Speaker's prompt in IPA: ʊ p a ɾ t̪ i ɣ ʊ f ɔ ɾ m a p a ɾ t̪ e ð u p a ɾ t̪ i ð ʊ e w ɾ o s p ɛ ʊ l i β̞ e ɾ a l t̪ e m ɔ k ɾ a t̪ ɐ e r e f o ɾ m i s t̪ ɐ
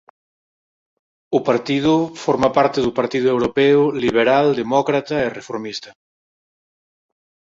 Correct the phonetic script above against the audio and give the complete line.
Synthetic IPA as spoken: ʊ p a ɾ t̪ i ð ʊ f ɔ ɾ m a p a ɾ t̪ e ð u p a ɾ t̪ i ð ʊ e w ɾ o p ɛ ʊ l i β̞ e ɾ a l d̪ e m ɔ k ɾ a t̪ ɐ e r e f o ɾ m i s t̪ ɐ